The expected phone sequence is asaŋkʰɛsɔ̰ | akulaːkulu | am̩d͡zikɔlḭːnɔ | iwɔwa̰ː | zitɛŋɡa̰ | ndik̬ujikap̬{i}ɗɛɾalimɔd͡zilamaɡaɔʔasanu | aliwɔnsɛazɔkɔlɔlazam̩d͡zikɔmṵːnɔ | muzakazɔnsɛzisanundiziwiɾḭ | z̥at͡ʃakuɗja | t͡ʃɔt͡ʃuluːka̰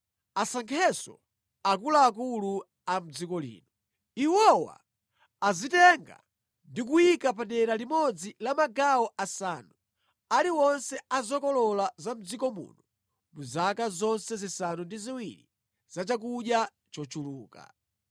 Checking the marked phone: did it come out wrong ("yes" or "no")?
yes